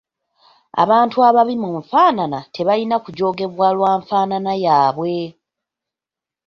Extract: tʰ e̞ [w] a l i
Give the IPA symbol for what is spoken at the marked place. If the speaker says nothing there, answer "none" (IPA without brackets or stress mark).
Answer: β